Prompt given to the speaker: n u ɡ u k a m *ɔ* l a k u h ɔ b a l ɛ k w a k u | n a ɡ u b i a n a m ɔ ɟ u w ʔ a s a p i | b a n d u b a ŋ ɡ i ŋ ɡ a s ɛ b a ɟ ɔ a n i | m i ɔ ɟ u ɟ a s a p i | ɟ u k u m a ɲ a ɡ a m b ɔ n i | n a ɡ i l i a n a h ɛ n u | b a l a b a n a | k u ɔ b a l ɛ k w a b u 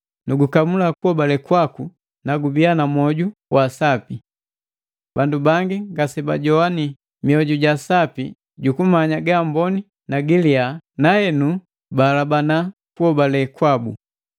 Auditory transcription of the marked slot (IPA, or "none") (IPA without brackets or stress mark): u